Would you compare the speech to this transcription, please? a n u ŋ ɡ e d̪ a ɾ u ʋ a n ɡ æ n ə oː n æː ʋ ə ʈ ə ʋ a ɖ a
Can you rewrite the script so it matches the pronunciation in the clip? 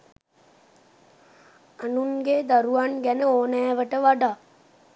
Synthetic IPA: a n u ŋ ɡ e d̪ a ɾ u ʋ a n ɡ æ n ə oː n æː ʋ ə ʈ ə ʋ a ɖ a